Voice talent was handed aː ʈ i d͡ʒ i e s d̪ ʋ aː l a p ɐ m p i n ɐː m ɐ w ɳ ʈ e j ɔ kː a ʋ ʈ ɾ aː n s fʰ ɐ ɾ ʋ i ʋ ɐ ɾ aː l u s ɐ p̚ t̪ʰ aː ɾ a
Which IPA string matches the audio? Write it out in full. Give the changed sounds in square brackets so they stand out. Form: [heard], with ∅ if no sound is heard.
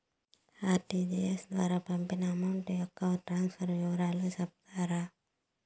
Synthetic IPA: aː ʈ i d͡ʒ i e s d̪ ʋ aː [ɾ] a p ɐ m p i n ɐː m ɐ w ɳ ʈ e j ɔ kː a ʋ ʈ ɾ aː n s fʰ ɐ ɾ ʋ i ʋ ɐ ɾ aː l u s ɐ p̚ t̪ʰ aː ɾ a